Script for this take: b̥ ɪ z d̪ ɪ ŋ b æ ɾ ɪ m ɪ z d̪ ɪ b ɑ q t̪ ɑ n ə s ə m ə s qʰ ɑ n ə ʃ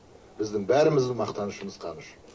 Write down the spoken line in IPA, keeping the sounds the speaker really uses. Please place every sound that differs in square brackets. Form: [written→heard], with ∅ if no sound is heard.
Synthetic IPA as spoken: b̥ ɪ z d̪ ɪ ŋ b æ ɾ ɪ m ɪ z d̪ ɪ [b→m] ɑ q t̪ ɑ n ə [s→ʃ] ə m ə [s→z] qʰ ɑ n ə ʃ